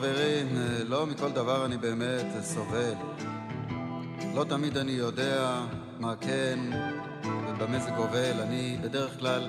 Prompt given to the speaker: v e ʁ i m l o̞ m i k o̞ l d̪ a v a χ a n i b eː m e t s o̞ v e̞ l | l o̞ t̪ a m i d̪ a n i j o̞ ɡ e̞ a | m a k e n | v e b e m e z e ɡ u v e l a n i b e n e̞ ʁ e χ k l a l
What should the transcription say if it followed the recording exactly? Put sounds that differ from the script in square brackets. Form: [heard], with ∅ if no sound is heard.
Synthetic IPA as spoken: v e ʁ i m l o̞ m i k o̞ l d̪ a v a [ʁ] a n i b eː m e t s o̞ v e̞ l | l o̞ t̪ a m i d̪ a n i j o̞ [d] e̞ a | m a k e n | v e b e m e z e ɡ [o] v e l a n i b e [d] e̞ ʁ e χ k l a l